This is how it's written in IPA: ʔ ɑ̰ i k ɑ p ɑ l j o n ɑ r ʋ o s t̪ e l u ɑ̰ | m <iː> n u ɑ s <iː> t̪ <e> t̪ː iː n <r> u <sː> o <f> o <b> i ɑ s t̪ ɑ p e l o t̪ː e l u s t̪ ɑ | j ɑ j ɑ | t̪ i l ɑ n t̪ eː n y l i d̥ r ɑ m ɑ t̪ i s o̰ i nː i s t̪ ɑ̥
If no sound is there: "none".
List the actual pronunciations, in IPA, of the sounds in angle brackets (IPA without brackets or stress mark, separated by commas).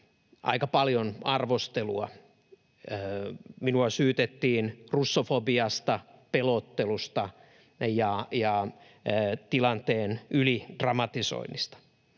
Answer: i, yː, e, r, sː, f, b